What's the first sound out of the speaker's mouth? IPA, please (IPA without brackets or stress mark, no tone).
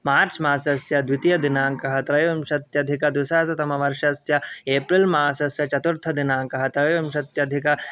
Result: m